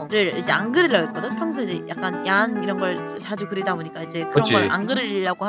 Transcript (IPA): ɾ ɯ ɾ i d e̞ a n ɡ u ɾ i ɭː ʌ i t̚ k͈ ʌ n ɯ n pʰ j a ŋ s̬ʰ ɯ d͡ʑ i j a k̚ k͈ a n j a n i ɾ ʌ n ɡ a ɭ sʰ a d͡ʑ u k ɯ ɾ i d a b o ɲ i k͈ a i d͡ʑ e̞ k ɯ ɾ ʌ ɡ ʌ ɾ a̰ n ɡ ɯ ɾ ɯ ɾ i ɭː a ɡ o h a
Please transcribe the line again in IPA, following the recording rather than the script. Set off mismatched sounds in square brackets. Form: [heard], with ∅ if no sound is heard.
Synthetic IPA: ɾ ɯ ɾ i [d͡ʑ] e̞ a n ɡ [ɯ] ɾ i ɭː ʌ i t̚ k͈ ʌ [d] ɯ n pʰ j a ŋ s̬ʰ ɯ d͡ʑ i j a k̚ k͈ a n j a n i ɾ ʌ n ɡ [ʌ] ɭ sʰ a d͡ʑ u k ɯ ɾ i d a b o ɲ i k͈ a i d͡ʑ e̞ k ɯ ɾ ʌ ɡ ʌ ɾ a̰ n ɡ ɯ ɾ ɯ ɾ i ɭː a ɡ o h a

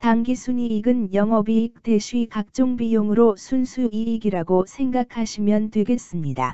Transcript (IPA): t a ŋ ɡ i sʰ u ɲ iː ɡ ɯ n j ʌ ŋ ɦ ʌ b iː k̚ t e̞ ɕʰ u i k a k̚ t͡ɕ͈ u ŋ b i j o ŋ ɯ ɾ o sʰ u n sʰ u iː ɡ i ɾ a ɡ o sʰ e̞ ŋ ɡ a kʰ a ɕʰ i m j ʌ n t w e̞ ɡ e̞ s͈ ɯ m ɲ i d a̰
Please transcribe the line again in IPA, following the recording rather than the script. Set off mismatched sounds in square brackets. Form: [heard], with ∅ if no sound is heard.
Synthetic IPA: t a ŋ ɡ i sʰ u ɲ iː ɡ ɯ n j ʌ ŋ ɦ ʌ b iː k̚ t e̞ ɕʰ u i k a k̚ t͡ɕ͈ [o] ŋ b i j o ŋ ɯ ɾ o sʰ u n sʰ u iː ɡ i ɾ a ɡ o sʰ e̞ ŋ ɡ a kʰ a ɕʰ i m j ʌ n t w e̞ ɡ e̞ s͈ ɯ m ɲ i d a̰

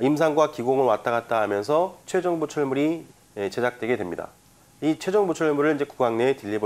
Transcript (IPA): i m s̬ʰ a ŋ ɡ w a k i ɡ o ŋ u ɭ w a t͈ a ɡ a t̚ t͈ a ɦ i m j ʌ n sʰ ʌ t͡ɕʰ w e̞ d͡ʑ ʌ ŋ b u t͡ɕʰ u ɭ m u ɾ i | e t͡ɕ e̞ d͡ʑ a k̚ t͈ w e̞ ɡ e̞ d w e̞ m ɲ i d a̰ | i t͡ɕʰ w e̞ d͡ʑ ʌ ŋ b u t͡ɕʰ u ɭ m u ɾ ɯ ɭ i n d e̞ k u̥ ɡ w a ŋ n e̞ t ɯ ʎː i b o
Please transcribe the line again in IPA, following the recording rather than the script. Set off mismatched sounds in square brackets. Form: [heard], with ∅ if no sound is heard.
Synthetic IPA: i m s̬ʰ a ŋ ɡ w a k i ɡ o ŋ [ɯ] ɭ w a t͈ a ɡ a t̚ t͈ a ɦ [a] m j ʌ n sʰ ʌ t͡ɕʰ w e̞ d͡ʑ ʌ ŋ b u t͡ɕʰ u ɭ m u ɾ i | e t͡ɕ e̞ d͡ʑ a k̚ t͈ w e̞ ɡ e̞ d w e̞ m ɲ i d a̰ | i t͡ɕʰ w e̞ d͡ʑ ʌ ŋ b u t͡ɕʰ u ɭ m u ɾ ɯ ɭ i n [d͡ʑ] e̞ k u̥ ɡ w a ŋ n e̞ t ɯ ʎː i b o

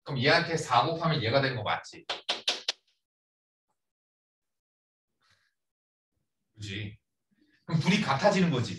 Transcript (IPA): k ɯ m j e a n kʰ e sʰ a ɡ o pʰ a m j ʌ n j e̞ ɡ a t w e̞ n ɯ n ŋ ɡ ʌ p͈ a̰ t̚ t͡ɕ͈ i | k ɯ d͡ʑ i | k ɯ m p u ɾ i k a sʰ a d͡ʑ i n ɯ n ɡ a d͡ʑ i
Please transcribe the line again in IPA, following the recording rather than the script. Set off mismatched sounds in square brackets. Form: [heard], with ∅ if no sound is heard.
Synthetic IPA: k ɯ m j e a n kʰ e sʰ a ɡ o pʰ a m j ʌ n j e̞ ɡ a [d] w e̞ n ɯ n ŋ ɡ ʌ [k͈] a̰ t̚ t͡ɕ͈ i | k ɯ d͡ʑ i | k ɯ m p u ɾ i k a [tʰ] a d͡ʑ i n ɯ n ɡ [ʌ] d͡ʑ i

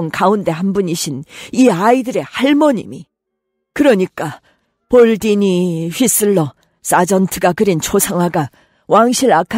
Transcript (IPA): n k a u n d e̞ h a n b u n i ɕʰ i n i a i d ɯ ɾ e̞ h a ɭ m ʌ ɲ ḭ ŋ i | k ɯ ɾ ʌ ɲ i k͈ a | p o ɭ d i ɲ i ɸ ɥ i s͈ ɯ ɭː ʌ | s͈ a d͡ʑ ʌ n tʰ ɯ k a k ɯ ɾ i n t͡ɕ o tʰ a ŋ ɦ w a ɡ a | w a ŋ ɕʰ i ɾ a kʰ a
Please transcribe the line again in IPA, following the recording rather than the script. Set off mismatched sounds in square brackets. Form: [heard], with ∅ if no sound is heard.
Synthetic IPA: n k a u n d e̞ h a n b u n i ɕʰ i n i a i d ɯ ɾ e̞ h a ɭ m ʌ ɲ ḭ [m] i | k ɯ ɾ ʌ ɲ i k͈ a | p o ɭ d i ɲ i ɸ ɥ i s͈ ɯ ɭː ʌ | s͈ a d͡ʑ ʌ n tʰ ɯ [ɡ] a k ɯ ɾ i n [t͡ɕʰ] o [sʰ] a ŋ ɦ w a ɡ a | w a ŋ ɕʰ i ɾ a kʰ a

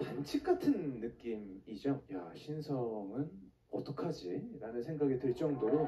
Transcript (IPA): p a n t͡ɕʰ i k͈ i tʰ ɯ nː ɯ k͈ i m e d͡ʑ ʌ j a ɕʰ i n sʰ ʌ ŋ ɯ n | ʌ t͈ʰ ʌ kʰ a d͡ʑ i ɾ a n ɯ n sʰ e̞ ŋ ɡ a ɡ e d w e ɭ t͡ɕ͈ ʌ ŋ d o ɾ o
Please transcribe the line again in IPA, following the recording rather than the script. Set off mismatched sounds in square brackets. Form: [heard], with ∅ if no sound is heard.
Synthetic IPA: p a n t͡ɕʰ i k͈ [a] tʰ ɯ nː ɯ k͈ i m [i] d͡ʑ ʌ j a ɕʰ i n sʰ ʌ ŋ ɯ n | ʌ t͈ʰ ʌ kʰ a d͡ʑ i ɾ a n ɯ n sʰ e̞ ŋ ɡ a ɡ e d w e ɭ t͡ɕ͈ ʌ ŋ d o ɾ o

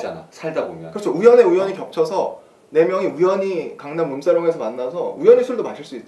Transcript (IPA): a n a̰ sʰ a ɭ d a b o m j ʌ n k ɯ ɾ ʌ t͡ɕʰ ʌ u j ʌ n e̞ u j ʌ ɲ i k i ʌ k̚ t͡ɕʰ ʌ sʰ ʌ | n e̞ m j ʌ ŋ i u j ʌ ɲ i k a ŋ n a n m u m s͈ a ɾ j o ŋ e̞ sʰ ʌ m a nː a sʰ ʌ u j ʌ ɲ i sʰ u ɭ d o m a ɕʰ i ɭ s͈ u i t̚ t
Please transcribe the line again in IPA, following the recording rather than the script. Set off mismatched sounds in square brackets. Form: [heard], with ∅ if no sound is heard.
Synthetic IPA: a n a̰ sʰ a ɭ d a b o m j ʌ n k ɯ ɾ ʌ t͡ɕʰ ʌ u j ʌ n e̞ u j ʌ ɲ i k [j] ʌ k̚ t͡ɕʰ ʌ sʰ ʌ | n e̞ m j ʌ ŋ i u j ʌ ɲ i k a ŋ n a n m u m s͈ a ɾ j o ŋ e̞ sʰ ʌ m a nː a sʰ ʌ u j ʌ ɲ i sʰ u ɭ d o m a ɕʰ i ɭ s͈ u i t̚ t

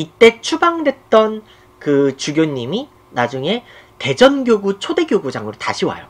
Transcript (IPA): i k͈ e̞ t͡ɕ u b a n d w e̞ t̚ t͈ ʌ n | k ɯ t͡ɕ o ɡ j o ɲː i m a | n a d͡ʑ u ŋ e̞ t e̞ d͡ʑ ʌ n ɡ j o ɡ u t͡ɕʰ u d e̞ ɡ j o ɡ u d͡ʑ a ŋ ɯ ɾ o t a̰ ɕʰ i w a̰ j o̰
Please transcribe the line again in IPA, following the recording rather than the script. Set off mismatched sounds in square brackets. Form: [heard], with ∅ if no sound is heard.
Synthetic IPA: i [t͈] e̞ [t͡ɕʰ] u b a [ŋ] d w e̞ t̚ t͈ ʌ n | k ɯ t͡ɕ [u] ɡ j o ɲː i m [i] | n a d͡ʑ u ŋ e̞ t e̞ d͡ʑ ʌ n ɡ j o ɡ u t͡ɕʰ [o] d e̞ ɡ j o ɡ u d͡ʑ a ŋ ɯ ɾ o t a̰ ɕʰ i w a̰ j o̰

